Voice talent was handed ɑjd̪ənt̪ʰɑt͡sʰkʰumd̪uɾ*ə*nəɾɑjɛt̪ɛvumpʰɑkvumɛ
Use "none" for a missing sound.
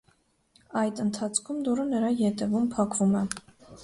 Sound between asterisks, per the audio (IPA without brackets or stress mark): ə